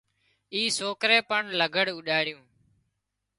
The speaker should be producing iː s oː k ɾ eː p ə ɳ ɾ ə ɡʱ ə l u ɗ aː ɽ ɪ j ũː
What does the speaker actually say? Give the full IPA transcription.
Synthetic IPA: iː s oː k ɾ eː p ə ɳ l ə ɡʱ ə ɽ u ɗ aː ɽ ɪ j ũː